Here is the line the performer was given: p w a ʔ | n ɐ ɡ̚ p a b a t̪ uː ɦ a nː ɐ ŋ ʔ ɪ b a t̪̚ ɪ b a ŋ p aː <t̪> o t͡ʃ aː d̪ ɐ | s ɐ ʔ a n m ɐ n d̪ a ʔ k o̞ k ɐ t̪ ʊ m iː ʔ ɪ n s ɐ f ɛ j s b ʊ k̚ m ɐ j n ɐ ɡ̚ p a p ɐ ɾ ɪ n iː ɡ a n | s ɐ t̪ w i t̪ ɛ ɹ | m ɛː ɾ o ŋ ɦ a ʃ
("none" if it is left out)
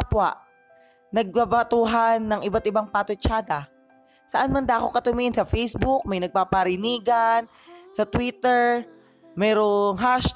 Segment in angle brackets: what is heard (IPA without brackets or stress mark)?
t̪